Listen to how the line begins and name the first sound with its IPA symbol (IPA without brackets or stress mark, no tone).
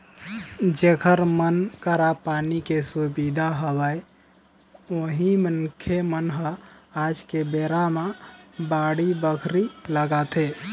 d͡ʒ